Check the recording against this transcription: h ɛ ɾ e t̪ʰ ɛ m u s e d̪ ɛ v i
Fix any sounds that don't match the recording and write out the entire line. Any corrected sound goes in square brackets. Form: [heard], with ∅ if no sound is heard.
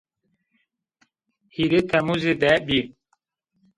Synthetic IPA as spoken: h [i] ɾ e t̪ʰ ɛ m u [z] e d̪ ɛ [b] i

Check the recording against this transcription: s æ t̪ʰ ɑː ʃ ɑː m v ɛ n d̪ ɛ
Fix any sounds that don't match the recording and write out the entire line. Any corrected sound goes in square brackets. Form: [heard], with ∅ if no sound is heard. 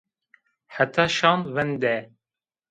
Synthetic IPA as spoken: [ħ] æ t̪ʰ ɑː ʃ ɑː [n] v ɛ n d̪ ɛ

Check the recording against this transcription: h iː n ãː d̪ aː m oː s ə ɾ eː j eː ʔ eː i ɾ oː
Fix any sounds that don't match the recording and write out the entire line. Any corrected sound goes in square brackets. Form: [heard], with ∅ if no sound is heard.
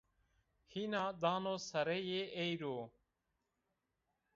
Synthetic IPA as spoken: h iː n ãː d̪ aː [n] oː s ə ɾ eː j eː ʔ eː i ɾ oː

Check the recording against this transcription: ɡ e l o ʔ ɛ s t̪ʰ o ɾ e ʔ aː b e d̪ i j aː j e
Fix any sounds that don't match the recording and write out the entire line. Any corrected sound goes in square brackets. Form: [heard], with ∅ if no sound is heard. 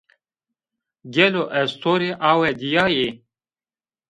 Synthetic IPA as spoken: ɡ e l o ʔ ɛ s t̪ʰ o ɾ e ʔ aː [w] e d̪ i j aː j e

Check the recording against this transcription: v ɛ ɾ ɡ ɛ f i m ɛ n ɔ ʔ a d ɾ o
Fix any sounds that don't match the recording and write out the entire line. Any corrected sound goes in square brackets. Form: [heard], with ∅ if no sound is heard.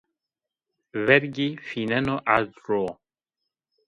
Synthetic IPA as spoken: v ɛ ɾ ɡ [i] f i [n] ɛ n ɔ ʔ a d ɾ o

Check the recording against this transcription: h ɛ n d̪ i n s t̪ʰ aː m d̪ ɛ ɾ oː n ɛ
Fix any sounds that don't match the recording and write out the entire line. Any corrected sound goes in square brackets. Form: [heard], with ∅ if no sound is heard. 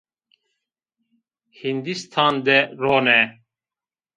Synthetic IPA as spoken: h [i] n d̪ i [∅] s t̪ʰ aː [n] d̪ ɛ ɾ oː n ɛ

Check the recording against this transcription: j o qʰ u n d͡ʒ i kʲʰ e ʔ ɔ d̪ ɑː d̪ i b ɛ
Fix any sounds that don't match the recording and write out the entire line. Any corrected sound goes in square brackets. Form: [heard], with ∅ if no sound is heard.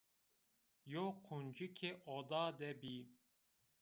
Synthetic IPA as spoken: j o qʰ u n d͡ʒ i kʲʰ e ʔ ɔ d̪ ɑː d̪ [ɛ] b [i]

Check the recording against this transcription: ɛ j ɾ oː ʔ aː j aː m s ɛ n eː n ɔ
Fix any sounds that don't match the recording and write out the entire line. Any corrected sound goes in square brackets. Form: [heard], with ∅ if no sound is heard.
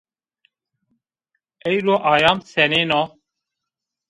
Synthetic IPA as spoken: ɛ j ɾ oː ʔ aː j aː m s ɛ n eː n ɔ

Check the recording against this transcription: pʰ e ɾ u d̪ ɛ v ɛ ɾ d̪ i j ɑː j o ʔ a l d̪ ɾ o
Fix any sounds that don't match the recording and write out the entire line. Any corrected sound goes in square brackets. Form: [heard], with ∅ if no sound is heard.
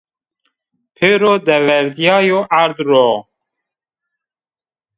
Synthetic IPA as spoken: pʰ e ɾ [o] d̪ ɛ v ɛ ɾ d̪ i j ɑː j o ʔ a [ɾ] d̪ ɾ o

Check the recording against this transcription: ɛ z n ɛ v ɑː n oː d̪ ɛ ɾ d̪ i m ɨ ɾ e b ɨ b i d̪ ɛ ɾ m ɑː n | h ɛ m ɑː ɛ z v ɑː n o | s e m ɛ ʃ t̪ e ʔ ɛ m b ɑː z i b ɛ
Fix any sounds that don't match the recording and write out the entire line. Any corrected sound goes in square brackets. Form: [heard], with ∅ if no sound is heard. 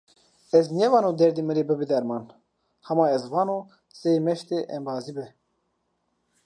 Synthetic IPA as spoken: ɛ z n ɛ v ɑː n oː d̪ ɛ ɾ d̪ i m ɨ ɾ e b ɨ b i d̪ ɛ ɾ m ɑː n | h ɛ m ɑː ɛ z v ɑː n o | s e m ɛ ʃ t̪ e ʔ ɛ m b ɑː z i b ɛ

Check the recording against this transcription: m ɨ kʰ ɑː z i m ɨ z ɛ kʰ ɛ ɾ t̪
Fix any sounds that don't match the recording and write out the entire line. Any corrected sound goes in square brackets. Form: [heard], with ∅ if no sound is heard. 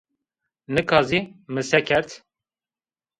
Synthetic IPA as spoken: [n] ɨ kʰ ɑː z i m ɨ [s] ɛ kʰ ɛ ɾ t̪

